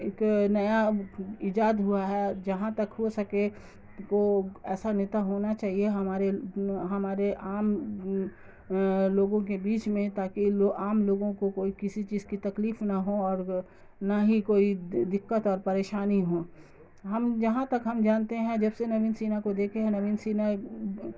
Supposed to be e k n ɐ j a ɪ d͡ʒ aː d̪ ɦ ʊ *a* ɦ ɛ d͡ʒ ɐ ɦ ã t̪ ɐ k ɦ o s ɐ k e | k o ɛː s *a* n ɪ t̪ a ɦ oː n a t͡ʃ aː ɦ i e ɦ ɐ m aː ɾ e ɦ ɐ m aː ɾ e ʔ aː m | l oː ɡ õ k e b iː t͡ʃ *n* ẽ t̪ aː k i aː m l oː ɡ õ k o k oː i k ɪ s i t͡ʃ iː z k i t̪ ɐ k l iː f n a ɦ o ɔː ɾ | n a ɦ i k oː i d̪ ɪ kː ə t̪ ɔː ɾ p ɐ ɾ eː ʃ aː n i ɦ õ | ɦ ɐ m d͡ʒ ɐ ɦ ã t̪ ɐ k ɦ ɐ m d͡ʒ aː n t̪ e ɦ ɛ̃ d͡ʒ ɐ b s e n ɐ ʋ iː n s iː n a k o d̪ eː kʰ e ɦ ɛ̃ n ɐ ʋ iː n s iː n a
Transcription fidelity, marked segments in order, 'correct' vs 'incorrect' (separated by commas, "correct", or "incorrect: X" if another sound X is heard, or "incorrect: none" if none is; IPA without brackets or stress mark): correct, correct, incorrect: m